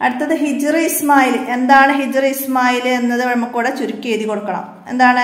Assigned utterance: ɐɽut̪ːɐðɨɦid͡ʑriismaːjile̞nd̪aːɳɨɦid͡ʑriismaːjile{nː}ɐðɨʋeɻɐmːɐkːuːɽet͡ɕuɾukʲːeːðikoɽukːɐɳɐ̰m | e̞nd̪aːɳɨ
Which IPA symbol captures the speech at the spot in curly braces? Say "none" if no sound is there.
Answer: nː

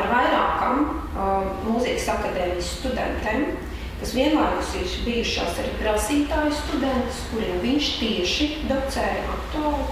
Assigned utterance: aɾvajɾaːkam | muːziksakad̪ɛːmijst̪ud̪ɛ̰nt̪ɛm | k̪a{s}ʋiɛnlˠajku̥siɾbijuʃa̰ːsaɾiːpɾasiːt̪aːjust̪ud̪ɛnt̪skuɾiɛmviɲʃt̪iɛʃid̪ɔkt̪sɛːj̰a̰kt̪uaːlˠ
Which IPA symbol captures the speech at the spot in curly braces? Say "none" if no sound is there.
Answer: s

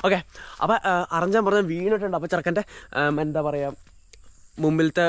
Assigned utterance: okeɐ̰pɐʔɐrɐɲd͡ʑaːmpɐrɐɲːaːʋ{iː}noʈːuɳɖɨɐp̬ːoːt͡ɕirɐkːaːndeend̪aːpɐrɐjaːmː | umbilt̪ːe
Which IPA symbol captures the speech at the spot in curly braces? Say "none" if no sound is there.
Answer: iː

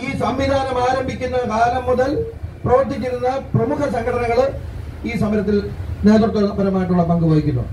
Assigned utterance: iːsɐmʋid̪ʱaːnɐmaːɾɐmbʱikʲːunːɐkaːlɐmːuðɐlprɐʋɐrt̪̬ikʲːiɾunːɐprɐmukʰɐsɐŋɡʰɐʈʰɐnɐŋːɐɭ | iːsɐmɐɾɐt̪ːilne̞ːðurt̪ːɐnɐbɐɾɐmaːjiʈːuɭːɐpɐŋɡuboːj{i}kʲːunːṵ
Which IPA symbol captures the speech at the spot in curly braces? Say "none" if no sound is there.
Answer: i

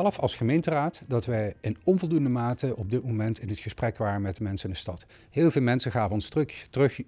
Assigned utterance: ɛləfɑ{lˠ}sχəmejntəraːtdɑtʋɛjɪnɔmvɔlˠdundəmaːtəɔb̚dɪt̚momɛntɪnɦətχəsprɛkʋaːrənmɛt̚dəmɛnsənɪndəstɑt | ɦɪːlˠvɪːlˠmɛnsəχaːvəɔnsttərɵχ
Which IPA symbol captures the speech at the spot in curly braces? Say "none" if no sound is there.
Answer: lˠ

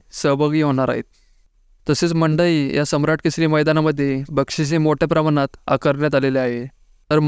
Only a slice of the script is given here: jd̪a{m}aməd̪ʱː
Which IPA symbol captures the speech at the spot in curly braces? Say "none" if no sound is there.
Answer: n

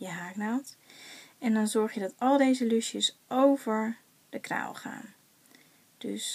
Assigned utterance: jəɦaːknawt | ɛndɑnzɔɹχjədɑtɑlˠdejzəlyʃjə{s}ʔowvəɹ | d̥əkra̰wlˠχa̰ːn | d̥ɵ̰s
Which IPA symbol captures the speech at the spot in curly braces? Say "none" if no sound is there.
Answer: s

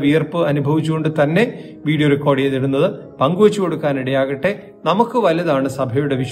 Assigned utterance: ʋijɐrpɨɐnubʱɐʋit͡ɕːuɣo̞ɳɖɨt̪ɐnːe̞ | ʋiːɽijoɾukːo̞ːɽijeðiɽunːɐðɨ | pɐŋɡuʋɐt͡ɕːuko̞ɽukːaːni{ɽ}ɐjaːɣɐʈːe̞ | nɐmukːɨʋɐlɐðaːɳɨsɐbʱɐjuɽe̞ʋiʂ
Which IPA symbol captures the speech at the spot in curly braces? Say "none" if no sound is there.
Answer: ɽ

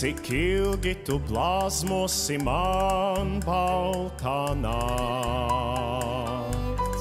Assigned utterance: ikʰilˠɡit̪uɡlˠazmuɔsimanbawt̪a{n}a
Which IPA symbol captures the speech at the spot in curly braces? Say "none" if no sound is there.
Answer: n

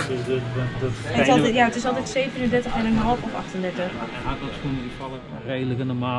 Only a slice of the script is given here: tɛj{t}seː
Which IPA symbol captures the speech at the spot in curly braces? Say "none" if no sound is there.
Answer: t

